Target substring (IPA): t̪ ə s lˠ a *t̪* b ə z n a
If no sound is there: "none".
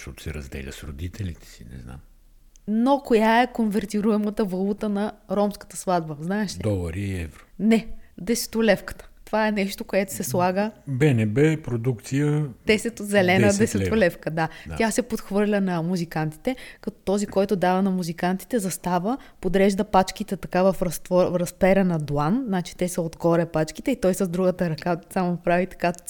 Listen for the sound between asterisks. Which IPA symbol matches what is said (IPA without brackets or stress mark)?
d̪